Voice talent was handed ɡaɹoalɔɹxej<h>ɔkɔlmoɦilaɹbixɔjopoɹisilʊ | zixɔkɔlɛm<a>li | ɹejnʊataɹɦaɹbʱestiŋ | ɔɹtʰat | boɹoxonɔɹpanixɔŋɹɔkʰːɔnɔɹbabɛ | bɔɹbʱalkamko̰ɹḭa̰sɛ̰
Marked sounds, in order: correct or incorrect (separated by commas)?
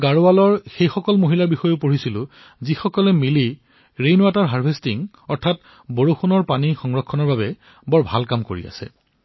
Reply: incorrect, incorrect